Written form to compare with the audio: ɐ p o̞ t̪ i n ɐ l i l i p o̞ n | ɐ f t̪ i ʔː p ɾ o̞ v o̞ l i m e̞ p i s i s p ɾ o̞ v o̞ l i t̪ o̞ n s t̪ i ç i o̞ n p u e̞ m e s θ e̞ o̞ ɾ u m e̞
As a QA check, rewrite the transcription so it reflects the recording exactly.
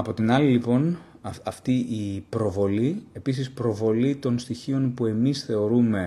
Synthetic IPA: ɐ p o̞ t̪ i n ɐ l i l i p o̞ n | ɐ f t̪ i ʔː p ɾ o̞ v o̞ l i e̞ p i s i s p ɾ o̞ v o̞ l i t̪ o̞ n s t̪ i ç i o̞ n p u e̞ m i s θ e̞ o̞ ɾ u m e̞